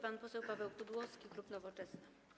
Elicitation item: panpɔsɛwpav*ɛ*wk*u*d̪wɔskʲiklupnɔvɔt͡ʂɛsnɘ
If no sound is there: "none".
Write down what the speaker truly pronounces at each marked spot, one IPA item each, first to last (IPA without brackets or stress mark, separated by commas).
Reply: ɛ, u